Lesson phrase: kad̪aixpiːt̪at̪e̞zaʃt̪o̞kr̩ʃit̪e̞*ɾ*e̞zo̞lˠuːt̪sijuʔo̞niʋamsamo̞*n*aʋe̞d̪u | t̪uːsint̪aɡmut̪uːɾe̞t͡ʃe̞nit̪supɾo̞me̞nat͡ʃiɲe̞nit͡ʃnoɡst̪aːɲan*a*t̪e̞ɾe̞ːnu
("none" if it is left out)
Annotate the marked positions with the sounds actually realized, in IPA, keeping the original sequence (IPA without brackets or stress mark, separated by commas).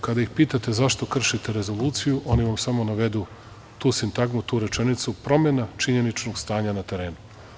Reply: ɾ, n, a